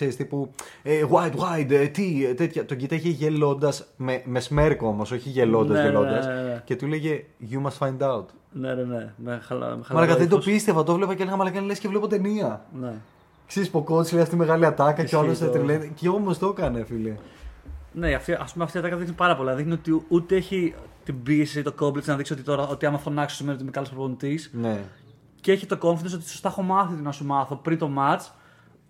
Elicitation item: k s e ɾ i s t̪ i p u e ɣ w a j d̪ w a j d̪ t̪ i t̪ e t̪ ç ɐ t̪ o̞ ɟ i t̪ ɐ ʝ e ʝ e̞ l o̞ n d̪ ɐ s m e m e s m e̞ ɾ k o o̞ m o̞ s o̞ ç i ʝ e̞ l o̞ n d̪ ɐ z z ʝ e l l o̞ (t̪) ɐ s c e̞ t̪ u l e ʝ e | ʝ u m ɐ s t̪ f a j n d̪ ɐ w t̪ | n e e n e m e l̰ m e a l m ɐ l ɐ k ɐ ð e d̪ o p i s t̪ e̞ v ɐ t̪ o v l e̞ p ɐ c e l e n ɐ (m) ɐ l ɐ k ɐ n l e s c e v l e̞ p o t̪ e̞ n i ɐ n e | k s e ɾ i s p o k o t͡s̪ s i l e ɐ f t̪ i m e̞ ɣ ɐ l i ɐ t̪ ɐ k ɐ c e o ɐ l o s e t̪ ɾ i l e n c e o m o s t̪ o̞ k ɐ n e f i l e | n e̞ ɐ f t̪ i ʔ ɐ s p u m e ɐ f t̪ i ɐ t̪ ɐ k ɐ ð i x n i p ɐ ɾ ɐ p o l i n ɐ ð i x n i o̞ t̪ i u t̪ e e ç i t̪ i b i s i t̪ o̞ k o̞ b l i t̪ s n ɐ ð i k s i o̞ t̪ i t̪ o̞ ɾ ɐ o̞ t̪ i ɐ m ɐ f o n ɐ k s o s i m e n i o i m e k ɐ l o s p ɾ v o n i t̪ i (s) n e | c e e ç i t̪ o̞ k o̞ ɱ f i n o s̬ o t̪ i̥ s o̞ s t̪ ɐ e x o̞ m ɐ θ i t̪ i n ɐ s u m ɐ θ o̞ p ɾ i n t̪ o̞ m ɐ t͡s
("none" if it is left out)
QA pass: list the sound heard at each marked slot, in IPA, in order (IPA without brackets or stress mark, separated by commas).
d̪, m, s